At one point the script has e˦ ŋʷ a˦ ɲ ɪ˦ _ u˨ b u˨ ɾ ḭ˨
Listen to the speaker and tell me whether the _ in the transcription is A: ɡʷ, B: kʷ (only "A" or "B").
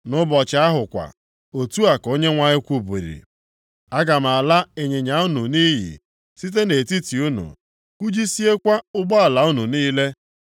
B